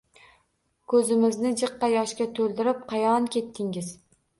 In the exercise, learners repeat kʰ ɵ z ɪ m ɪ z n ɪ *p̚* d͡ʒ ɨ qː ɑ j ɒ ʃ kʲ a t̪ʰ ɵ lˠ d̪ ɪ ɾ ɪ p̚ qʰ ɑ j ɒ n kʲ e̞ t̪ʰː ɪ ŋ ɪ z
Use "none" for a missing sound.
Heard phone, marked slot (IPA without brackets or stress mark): none